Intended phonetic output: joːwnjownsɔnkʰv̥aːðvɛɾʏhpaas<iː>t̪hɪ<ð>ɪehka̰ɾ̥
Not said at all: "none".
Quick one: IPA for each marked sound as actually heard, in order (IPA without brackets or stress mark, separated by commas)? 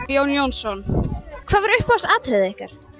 aː, ð